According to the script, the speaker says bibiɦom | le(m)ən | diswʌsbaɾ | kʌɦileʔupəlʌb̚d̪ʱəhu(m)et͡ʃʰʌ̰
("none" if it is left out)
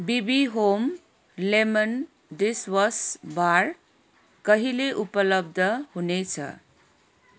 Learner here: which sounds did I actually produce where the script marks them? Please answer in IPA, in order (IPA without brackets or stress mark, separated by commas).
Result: m, n